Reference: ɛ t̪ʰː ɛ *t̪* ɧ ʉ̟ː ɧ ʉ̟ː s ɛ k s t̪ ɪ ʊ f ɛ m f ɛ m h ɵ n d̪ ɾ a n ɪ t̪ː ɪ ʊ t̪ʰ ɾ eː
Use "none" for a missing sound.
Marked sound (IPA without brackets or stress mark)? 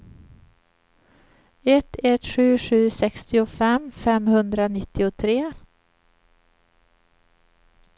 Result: t̪